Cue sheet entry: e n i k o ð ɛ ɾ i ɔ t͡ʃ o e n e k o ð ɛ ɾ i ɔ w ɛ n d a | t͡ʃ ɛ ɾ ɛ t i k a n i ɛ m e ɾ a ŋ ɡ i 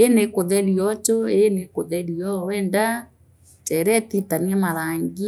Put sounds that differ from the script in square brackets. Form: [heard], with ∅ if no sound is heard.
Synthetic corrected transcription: e n [e] k o ð ɛ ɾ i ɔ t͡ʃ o e n e k o ð ɛ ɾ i ɔ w ɛ n d a | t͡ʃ ɛ ɾ ɛ t i [t] a n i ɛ m [a] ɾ a ŋ ɡ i